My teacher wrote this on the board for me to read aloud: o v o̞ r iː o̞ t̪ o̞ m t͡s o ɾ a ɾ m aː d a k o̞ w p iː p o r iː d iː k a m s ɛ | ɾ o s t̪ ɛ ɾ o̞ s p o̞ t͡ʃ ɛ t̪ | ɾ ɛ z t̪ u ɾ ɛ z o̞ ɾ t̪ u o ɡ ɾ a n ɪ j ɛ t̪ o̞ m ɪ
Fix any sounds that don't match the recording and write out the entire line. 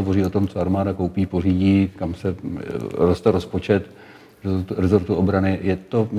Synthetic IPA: o v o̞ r iː o̞ t̪ o̞ m t͡s o a ɾ m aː d a k o̞ w p iː p o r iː ɟ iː k a m s ɛ | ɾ o s t̪ ɛ ɾ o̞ s p o̞ t͡ʃ ɛ t̪ | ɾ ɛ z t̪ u ɾ ɛ z o̞ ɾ t̪ u o b ɾ a n ɪ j ɛ t̪ o̞ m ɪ